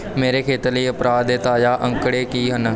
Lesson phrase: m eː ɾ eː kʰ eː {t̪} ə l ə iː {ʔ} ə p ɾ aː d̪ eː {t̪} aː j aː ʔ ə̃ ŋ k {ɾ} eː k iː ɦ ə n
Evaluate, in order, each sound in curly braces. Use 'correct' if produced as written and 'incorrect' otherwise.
correct, incorrect: none, correct, incorrect: ɽ

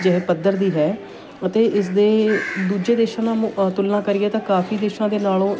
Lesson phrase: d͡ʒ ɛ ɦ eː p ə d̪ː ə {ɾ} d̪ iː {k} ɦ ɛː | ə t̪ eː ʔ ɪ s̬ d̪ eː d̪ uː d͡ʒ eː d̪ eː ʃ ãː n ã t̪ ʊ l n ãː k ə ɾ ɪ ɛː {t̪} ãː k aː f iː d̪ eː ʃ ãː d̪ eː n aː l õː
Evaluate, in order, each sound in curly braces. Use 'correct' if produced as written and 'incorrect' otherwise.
correct, incorrect: none, correct

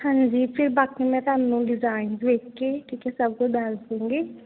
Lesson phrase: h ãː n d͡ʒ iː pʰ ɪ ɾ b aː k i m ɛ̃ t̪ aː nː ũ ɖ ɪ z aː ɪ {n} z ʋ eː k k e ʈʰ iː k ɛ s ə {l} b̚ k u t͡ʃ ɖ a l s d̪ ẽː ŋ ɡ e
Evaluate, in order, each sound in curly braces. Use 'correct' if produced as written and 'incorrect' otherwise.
correct, incorrect: none

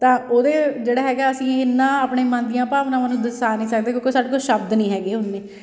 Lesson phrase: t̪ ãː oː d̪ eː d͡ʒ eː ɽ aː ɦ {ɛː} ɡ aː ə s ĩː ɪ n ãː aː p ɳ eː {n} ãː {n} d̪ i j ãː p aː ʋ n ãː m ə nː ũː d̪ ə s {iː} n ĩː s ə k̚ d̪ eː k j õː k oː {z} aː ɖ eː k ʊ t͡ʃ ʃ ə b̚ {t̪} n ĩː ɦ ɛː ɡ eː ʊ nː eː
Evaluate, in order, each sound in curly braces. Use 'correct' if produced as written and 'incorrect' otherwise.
correct, incorrect: m, correct, incorrect: aː, incorrect: s, incorrect: d̪

